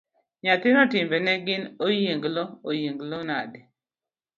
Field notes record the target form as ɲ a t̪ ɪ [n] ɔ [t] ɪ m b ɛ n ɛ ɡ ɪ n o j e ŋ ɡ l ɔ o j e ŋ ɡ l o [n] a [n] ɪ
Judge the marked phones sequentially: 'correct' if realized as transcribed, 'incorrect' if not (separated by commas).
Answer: correct, correct, correct, incorrect